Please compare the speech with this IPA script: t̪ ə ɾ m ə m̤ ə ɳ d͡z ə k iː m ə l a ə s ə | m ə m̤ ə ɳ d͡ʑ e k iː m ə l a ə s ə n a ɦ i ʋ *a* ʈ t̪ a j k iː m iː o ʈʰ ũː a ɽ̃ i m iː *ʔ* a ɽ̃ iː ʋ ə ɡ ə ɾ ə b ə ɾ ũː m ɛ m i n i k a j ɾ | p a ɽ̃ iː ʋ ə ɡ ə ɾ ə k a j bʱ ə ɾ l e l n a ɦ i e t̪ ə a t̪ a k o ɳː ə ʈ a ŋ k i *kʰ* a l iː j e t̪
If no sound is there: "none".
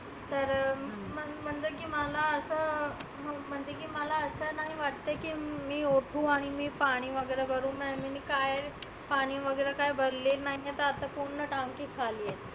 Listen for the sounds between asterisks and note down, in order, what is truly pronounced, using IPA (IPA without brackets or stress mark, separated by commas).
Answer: a, p, kʰ